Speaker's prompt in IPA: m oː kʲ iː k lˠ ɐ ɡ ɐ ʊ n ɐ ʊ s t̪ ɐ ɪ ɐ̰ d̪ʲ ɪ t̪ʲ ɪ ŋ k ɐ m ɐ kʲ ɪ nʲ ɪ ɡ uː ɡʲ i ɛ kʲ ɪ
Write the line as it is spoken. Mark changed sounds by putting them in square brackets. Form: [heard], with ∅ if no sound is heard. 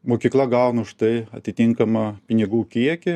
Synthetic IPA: m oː kʲ iː k lˠ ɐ ɡ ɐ ʊ n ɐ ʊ [ʃ] t̪ ɐ ɪ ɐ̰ [t̪ʲ] ɪ t̪ʲ ɪ ŋ k ɐ m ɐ [pʲ] ɪ nʲ ɪ ɡ uː [kʲ] i ɛ kʲ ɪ